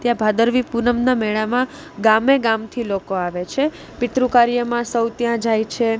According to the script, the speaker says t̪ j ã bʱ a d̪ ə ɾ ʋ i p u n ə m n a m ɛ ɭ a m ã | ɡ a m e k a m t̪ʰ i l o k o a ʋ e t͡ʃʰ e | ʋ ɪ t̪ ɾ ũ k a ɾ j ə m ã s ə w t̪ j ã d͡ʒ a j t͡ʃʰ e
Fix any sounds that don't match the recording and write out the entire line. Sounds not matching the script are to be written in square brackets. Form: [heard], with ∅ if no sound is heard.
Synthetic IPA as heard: t̪ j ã bʱ a d̪ ə ɾ ʋ i p u n ə m n a m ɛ ɭ a m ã | ɡ a m e [ɡ] a m t̪ʰ i l o k o a ʋ e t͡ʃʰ e | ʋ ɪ t̪ ɾ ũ k a ɾ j ə m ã s ə w t̪ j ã d͡ʒ a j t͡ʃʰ e